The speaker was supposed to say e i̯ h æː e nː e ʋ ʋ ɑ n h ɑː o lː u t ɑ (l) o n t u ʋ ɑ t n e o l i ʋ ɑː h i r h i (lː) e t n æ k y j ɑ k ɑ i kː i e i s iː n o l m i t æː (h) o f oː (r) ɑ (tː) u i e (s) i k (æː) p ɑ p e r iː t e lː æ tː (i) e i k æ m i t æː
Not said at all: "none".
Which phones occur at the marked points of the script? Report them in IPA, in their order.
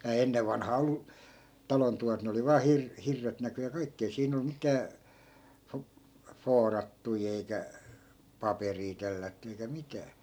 l, rː, f, r, tː, none, æ, y

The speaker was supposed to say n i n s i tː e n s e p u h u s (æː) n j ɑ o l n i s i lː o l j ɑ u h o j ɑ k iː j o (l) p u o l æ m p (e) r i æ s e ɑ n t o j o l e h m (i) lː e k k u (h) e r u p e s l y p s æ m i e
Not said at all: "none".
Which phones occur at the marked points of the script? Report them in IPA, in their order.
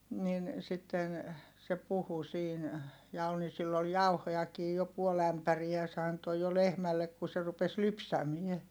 iː, none, æ, æ, s

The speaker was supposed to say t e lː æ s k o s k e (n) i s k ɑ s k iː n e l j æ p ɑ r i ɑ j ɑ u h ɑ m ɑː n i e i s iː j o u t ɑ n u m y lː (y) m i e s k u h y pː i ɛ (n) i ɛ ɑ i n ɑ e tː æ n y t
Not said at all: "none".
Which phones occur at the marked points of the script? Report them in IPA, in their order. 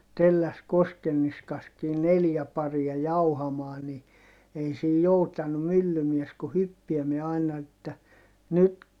nː, y, m

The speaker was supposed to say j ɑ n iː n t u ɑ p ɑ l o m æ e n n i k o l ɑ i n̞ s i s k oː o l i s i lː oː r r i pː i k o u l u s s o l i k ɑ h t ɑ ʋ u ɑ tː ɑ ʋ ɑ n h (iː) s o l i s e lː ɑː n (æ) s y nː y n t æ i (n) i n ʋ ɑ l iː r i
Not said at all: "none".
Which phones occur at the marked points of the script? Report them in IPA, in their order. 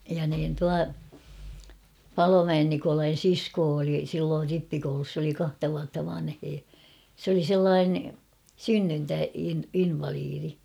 eː, e, n

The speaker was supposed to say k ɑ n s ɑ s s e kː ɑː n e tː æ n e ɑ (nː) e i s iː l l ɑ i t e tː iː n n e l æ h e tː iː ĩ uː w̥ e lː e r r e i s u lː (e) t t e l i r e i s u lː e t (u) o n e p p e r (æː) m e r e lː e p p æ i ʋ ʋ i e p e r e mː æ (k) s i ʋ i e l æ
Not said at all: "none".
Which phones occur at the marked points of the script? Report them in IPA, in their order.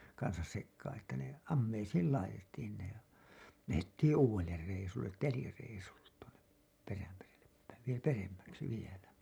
mː, e, u, æ, k

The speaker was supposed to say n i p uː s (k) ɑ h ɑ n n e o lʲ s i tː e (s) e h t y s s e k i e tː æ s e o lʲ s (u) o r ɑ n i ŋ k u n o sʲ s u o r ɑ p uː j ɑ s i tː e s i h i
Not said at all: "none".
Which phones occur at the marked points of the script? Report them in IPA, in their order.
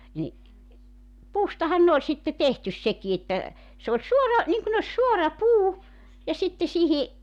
t, t, u

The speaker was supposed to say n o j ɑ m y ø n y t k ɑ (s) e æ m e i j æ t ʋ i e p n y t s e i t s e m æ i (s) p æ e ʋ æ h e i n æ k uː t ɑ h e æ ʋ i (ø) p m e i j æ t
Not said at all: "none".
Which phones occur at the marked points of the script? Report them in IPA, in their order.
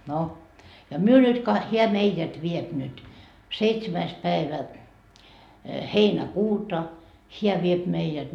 h, s, e

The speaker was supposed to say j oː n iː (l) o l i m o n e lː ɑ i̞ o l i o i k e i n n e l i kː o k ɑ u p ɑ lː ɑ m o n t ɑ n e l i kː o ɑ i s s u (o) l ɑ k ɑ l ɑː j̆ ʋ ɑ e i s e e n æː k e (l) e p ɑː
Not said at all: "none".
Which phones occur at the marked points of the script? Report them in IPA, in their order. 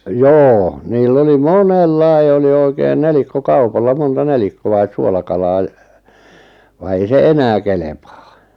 lː, o, l

